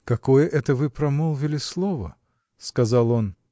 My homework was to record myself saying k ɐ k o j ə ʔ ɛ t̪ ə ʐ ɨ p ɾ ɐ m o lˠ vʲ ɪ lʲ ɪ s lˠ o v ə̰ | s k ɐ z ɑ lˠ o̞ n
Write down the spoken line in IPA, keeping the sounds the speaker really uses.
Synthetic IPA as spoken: k ɐ k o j ə ʔ ɛ t̪ ə v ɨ p ɾ ɐ m o lˠ vʲ ɪ lʲ ɪ s lˠ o v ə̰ | s k ɐ z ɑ lˠ o̞ n